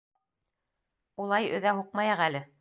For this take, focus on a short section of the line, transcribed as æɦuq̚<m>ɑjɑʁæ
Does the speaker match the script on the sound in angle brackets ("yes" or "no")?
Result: yes